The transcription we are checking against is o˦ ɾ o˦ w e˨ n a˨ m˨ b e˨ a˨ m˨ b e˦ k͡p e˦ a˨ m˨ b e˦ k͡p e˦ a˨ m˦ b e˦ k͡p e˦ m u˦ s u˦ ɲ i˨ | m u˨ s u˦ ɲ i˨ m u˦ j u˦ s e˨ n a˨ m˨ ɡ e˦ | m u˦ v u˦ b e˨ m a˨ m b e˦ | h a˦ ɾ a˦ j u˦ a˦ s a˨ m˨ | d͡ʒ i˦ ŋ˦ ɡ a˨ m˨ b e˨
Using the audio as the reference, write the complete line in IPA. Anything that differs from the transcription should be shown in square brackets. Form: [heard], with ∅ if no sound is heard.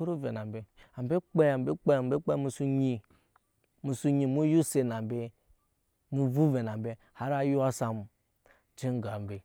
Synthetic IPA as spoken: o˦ ɾ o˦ [v] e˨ n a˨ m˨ b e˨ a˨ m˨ b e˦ k͡p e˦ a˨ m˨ b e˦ k͡p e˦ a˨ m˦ b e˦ k͡p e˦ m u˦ s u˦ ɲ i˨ | m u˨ s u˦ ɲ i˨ m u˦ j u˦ s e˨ n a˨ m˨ [b] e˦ | m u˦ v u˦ [v] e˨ [n] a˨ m b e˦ | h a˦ ɾ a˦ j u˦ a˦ s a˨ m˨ | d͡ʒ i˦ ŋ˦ ɡ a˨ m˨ b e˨

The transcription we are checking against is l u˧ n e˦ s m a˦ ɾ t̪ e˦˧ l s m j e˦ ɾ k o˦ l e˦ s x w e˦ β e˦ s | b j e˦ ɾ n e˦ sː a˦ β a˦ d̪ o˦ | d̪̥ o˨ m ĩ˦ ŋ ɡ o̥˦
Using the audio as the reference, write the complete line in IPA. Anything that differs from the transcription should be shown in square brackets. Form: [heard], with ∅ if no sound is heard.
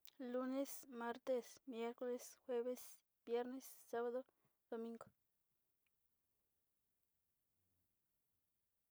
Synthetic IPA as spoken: l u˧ n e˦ s m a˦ ɾ t̪ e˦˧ [∅] s m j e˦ ɾ k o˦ l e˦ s x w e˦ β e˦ s | b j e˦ ɾ n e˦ sː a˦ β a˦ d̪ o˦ | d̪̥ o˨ m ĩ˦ ŋ ɡ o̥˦

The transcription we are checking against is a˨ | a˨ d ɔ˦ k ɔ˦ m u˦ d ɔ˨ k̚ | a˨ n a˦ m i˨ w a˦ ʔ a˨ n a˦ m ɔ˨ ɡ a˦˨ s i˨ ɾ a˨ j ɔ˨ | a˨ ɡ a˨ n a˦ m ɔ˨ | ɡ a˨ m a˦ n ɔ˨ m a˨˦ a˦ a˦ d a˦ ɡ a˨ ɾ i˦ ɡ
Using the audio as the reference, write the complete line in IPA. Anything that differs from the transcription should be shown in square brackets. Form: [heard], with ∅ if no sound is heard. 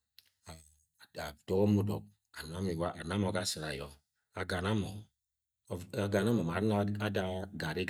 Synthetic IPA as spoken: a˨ | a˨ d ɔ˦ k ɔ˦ m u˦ d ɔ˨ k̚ | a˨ n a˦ m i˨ w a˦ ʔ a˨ n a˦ m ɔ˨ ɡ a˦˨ s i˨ ɾ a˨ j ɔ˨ | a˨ ɡ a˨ n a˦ m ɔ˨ | ɡ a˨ [n] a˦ [m] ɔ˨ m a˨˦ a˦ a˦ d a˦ ɡ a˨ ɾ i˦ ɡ

